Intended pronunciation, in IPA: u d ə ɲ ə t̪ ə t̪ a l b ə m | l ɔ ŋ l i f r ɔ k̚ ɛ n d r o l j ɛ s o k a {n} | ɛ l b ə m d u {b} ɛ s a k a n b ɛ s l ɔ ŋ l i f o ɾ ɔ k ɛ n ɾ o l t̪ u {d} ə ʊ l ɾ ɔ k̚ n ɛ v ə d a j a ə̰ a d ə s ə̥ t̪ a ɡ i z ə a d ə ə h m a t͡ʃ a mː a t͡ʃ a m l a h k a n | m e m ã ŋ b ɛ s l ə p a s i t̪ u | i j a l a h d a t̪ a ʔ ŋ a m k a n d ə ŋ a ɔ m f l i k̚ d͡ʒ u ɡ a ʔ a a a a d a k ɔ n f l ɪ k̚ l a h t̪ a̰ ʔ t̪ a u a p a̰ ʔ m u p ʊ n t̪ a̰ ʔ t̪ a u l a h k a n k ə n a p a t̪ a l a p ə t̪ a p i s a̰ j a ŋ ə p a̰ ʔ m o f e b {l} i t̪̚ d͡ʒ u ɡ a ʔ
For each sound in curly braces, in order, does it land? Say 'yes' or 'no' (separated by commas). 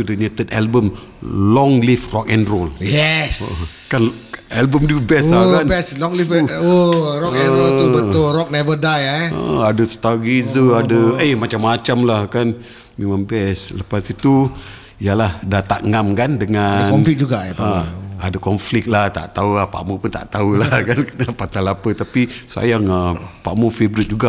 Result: yes, yes, no, no